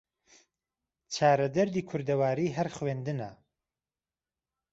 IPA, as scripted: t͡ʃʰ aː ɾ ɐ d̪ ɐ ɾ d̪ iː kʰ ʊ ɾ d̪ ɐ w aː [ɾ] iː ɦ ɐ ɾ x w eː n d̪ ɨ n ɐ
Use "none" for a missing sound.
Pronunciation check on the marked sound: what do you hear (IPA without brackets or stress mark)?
ɾ